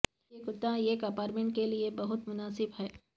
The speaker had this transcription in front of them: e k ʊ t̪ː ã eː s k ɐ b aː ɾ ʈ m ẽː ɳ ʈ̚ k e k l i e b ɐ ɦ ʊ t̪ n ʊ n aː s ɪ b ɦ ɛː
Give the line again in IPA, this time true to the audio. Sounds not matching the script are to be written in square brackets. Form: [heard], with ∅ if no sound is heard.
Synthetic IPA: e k ʊ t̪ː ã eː [∅] k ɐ [p] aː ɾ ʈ m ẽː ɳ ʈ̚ k e [∅] l i e b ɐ ɦ ʊ t̪ [m] ʊ n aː s ɪ b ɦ ɛː